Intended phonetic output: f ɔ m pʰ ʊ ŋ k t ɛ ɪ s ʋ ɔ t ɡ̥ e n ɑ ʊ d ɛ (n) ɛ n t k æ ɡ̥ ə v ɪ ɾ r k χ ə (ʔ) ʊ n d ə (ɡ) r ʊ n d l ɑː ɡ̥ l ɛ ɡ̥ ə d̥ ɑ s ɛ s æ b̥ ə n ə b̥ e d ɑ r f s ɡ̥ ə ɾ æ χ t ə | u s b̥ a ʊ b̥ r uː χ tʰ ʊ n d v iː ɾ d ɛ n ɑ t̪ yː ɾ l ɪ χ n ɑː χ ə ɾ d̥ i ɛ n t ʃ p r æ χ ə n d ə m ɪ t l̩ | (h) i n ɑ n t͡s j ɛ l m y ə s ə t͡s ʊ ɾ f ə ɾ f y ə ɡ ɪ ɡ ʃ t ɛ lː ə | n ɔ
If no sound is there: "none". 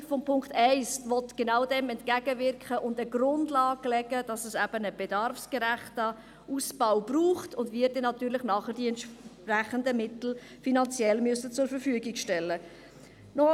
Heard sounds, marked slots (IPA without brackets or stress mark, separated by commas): m, ʔ, ɡ, f